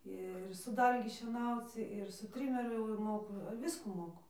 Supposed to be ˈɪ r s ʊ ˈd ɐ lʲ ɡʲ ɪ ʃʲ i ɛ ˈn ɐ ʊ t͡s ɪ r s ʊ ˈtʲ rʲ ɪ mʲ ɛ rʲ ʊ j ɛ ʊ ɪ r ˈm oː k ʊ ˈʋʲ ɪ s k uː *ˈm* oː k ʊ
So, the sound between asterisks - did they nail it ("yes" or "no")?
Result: yes